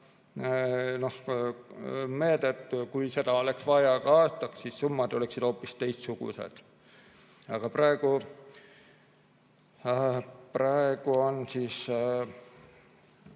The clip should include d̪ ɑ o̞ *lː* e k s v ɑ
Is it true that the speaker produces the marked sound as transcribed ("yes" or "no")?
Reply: no